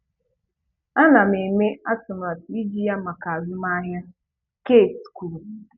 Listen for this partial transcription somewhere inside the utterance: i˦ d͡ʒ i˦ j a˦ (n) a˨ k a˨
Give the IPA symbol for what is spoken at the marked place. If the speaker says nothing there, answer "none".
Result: m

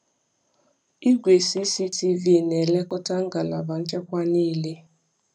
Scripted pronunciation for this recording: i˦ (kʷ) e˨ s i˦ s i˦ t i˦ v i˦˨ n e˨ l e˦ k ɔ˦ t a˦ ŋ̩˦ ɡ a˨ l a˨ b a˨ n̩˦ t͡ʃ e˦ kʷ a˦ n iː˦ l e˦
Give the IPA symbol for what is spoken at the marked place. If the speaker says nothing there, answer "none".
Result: ɡʷ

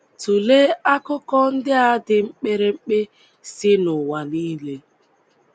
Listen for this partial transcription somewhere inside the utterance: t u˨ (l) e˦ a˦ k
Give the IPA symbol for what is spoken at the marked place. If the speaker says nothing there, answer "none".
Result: l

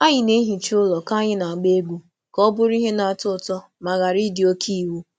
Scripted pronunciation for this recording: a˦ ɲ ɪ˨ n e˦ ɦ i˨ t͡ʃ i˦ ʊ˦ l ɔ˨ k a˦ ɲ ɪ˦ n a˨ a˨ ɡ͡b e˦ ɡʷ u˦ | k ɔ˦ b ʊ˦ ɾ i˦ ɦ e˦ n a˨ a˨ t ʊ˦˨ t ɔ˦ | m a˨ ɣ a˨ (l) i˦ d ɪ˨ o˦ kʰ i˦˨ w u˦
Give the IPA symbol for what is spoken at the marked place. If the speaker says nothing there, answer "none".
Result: ɾ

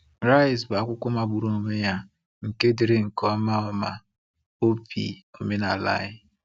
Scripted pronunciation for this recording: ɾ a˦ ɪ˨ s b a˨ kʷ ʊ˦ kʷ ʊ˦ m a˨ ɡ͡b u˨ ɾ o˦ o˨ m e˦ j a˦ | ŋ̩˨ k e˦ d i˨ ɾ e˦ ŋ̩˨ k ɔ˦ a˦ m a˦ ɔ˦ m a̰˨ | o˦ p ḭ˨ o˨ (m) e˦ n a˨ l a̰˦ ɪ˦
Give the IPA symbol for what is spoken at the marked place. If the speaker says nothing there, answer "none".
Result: m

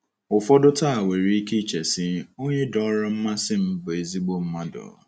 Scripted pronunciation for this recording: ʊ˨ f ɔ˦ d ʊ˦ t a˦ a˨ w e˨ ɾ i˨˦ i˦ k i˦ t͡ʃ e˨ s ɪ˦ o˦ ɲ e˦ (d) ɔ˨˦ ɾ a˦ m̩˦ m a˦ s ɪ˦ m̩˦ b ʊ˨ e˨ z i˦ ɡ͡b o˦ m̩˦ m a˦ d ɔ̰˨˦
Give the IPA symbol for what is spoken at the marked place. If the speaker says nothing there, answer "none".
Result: d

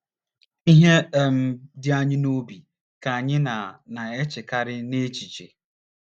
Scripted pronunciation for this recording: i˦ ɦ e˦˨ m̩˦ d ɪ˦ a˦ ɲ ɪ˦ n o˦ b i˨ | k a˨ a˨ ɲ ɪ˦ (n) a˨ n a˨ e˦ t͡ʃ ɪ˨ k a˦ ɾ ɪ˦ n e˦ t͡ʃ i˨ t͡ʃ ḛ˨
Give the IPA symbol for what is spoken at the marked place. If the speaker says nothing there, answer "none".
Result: n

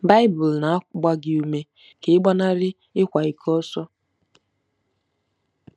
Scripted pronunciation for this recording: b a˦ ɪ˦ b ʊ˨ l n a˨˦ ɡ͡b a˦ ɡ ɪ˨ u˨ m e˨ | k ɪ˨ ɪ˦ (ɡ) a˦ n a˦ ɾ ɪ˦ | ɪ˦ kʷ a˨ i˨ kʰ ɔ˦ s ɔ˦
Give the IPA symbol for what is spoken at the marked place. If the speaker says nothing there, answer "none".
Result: ɡ͡b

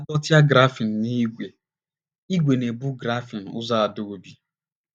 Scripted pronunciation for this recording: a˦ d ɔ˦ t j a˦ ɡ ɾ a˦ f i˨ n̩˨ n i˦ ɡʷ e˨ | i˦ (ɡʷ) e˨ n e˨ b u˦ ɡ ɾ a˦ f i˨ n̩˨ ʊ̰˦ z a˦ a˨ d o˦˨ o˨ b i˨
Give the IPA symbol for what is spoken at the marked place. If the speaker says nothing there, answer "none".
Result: ɡʷ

